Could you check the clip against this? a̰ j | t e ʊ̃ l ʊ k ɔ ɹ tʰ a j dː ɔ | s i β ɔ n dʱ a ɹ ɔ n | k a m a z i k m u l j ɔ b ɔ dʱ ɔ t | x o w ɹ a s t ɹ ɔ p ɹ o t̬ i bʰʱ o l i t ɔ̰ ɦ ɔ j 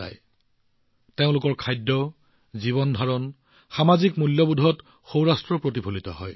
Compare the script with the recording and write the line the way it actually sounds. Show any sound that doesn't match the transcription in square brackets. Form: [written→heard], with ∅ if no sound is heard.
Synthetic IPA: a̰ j | t e ʊ̃ l ʊ k ɔ ɹ [tʰ→kʰ] a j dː ɔ | [s→z] i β ɔ n dʱ a ɹ ɔ n | [k→x] a m a z i k m u l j ɔ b [ɔ→u] dʱ ɔ t | x o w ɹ a s t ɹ ɔ p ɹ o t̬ i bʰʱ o l i t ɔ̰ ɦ ɔ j